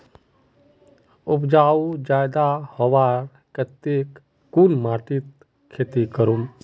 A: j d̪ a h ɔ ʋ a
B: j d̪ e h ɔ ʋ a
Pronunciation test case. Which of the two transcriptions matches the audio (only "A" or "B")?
A